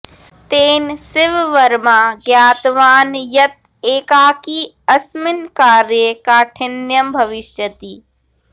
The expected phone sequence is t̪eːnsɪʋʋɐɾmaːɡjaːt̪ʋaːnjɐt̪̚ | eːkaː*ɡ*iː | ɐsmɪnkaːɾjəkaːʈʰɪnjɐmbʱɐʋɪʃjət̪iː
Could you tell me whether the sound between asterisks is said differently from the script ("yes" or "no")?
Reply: yes